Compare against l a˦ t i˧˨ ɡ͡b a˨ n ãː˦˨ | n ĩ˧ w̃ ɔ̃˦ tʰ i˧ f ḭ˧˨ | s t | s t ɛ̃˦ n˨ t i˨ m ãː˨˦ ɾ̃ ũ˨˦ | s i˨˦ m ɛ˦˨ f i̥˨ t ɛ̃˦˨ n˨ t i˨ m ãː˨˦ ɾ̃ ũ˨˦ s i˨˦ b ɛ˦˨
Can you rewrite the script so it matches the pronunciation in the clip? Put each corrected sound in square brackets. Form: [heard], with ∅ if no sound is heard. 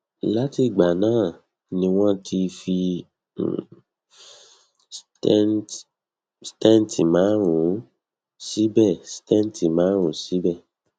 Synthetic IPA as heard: l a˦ t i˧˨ ɡ͡b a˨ n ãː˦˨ | n ĩ˧ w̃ ɔ̃˦ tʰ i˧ f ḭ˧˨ | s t | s t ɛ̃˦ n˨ t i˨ m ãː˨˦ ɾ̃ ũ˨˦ | s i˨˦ [b] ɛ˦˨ [s] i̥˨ t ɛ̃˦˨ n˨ t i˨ m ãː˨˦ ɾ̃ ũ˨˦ s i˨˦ b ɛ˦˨